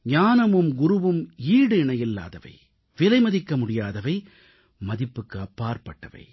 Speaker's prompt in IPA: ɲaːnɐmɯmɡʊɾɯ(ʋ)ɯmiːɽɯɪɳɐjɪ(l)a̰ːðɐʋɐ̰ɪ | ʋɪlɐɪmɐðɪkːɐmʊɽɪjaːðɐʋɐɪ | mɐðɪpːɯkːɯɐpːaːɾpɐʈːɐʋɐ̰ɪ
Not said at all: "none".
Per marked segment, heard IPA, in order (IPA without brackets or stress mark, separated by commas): ʋ, lː